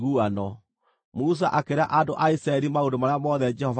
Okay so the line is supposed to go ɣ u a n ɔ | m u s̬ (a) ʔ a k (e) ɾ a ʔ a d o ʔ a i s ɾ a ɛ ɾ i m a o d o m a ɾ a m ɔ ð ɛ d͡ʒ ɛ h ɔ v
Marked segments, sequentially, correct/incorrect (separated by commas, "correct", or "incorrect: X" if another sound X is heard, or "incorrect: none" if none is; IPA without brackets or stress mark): correct, correct